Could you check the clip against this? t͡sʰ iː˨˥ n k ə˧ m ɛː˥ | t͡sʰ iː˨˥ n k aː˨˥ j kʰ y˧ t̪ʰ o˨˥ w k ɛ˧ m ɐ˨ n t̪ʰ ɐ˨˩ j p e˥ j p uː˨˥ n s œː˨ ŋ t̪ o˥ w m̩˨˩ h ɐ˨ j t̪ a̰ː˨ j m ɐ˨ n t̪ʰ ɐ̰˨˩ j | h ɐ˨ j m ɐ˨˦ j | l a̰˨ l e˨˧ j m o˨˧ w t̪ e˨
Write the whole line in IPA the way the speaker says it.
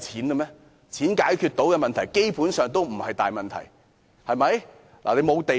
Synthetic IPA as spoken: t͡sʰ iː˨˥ n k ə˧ m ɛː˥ | t͡sʰ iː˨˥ n k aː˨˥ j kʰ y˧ t̪ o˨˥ w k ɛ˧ m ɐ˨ n t̪ʰ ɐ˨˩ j k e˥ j p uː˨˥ n s œː˨ ŋ t̪ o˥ w m̩˨˩ h ɐ˨ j t̪ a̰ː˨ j m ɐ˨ n t̪ʰ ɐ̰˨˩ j | h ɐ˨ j m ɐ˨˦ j | l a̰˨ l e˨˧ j m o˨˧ w t̪ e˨